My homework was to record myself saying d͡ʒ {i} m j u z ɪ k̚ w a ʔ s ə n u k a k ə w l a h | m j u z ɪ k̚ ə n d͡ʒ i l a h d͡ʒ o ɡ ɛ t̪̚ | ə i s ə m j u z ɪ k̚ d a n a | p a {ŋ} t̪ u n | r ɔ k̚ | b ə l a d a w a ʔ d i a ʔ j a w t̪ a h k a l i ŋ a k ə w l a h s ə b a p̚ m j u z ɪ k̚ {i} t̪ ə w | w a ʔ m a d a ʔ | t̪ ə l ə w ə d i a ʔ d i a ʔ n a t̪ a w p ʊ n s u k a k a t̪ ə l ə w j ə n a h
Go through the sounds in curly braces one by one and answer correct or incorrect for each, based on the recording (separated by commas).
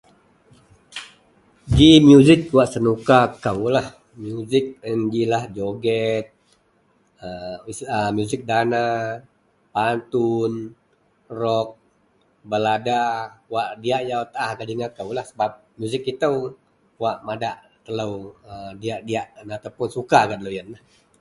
correct, incorrect, correct